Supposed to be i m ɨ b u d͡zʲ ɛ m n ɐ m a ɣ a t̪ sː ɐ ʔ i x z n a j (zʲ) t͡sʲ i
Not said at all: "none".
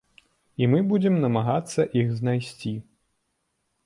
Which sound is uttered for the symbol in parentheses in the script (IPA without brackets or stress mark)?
sʲ